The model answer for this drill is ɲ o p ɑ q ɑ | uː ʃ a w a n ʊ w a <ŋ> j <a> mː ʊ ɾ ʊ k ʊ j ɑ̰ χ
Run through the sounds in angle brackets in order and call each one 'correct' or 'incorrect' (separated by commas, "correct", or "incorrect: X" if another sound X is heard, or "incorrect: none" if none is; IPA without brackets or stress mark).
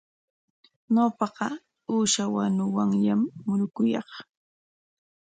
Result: correct, correct